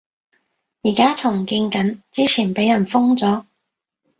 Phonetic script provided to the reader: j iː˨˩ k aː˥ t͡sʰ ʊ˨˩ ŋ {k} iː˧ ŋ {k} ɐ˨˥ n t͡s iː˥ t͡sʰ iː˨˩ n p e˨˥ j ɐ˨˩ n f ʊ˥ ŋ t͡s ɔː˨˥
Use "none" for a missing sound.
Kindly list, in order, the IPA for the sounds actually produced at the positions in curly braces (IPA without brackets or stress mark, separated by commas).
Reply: k, k